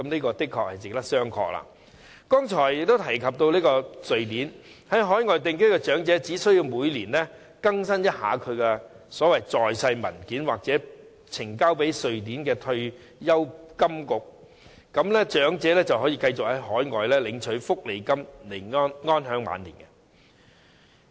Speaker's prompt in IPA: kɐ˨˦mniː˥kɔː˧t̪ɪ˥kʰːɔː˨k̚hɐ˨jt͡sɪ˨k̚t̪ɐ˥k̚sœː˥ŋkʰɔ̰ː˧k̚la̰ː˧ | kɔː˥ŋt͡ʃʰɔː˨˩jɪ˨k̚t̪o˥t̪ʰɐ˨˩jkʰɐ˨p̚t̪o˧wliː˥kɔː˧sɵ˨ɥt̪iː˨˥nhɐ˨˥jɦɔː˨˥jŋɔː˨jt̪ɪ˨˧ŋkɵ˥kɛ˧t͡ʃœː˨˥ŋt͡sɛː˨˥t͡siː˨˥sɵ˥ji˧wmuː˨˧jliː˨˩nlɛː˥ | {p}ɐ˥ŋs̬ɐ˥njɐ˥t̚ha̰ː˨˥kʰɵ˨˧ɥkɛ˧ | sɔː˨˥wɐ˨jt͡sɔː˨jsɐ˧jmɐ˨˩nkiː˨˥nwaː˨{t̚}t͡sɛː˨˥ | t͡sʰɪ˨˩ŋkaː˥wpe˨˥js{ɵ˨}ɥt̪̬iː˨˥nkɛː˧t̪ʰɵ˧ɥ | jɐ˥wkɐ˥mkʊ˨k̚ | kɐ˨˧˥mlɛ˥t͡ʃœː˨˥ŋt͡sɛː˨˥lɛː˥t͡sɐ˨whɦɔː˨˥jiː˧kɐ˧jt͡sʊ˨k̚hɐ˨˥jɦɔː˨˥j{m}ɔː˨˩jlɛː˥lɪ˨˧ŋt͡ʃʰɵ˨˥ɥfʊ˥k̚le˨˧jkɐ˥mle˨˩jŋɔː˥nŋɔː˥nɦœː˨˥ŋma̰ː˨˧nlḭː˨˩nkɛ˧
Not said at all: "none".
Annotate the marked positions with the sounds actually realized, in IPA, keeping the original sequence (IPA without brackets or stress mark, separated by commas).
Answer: k, k̚, ɵ˨, ŋ